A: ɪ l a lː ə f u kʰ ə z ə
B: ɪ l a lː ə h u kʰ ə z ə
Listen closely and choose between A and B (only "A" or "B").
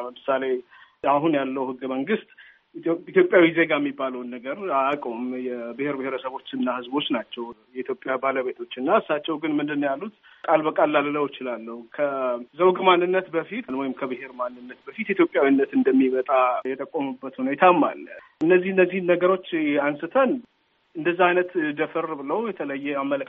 B